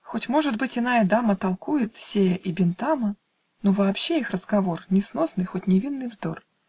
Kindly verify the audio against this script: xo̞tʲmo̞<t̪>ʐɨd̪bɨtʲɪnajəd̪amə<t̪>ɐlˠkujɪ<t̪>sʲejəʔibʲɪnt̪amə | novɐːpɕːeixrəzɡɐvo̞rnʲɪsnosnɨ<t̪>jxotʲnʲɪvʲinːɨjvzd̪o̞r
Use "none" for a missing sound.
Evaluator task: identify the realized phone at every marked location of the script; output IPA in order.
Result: none, t̪, t̪, none

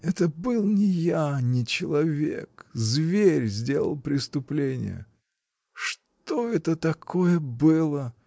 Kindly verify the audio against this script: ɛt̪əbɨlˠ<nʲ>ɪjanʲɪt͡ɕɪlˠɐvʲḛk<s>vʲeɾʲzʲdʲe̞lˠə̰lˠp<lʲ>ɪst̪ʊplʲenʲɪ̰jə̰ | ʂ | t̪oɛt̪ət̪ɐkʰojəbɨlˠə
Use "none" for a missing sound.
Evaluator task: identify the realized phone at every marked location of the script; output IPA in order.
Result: nʲ, z, ɾʲ

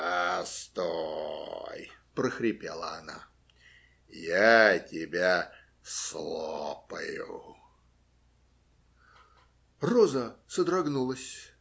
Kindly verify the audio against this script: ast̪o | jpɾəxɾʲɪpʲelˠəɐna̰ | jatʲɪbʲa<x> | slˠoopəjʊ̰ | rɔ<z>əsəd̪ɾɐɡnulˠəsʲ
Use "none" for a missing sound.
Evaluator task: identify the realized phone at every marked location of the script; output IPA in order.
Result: none, z

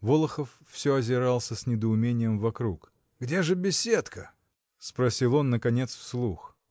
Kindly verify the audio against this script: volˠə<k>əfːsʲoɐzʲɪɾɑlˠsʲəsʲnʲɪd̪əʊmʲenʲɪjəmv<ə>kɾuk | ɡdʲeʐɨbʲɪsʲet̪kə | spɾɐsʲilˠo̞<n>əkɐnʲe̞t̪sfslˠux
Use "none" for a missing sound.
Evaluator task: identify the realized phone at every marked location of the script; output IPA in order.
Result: x, ɐ, nː

